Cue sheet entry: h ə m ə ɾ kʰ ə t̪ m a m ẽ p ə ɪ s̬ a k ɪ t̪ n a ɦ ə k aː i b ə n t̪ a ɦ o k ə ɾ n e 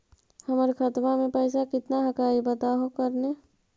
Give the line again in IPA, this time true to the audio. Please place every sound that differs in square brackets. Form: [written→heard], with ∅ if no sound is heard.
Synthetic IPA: h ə m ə ɾ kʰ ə t̪ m a m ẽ p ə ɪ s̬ a k ɪ t̪ n a ɦ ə k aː i b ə [n→∅] t̪ a ɦ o k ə ɾ n e